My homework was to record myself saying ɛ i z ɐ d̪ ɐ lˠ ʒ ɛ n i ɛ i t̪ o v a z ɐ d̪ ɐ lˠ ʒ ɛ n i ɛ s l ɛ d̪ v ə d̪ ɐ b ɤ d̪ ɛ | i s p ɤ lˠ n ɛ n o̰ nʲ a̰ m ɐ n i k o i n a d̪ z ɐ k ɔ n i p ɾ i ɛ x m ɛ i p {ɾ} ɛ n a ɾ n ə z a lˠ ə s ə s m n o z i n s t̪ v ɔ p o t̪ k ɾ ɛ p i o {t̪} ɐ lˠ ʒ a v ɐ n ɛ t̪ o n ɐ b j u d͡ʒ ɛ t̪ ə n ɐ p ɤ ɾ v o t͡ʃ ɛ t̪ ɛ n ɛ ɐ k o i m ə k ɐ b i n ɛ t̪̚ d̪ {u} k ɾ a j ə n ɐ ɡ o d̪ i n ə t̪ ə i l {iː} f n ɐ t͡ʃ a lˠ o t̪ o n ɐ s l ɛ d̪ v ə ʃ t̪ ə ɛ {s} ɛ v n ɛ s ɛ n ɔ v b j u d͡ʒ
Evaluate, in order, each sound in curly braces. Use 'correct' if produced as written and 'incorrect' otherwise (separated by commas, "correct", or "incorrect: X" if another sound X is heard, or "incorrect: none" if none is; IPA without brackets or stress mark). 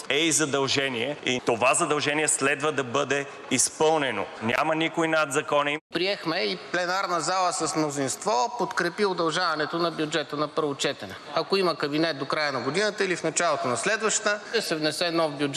incorrect: l, incorrect: d̪, incorrect: o, incorrect: i, correct